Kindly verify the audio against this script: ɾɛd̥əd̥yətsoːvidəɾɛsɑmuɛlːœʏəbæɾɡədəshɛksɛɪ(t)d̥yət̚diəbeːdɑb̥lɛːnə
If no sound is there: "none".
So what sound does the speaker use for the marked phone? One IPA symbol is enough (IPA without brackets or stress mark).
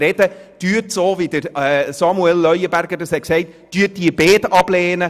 t